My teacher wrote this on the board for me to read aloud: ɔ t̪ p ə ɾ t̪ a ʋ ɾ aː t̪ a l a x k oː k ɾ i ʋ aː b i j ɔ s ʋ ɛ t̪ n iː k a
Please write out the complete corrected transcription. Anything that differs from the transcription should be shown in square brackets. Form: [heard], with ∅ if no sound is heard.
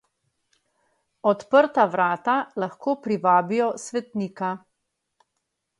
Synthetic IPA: ɔ t̪ p ə ɾ t̪ a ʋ ɾ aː t̪ a l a x k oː [p] ɾ i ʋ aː b i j ɔ s ʋ ɛ t̪ n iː k a